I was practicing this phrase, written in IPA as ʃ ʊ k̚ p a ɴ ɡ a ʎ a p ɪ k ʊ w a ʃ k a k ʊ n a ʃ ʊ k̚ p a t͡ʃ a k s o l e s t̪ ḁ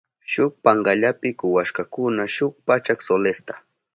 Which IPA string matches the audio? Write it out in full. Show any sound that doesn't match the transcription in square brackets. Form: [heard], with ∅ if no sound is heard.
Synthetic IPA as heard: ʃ ʊ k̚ p a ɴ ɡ a ʎ a p ɪ k ʊ w a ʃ k a k ʊ n a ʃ ʊ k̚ p a t͡ʃ a k s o l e s t̪ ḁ